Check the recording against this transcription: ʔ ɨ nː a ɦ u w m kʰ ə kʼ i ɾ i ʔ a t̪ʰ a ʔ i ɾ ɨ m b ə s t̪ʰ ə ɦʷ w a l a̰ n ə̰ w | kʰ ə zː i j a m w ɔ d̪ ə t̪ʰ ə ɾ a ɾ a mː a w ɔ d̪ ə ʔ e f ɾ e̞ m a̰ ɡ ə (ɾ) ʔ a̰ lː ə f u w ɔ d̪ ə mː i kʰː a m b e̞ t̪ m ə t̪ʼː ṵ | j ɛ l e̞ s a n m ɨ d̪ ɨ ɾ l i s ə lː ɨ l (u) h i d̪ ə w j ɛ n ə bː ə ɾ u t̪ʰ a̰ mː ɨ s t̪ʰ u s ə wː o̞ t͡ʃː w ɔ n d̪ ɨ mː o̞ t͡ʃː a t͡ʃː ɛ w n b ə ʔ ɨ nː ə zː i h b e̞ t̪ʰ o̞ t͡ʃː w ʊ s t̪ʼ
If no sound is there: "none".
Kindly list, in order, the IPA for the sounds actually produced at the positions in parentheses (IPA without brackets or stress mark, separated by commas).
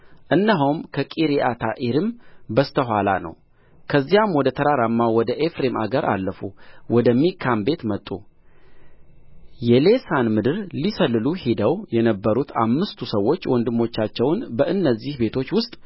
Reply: ɾ, u